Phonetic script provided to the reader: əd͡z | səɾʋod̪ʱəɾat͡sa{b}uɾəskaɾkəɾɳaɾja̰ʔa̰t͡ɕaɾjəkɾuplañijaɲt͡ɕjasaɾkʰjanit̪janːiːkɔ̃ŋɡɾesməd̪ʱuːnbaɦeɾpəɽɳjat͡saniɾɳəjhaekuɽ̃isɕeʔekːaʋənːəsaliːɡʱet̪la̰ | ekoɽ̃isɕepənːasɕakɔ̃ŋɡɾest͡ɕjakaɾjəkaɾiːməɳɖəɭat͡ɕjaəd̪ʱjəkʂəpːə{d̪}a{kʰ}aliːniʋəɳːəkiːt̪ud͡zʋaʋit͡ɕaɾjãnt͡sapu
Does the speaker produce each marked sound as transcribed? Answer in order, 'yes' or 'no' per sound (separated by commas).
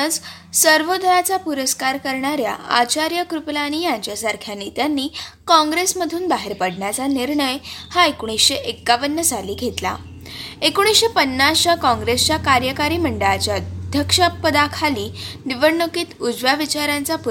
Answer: no, yes, yes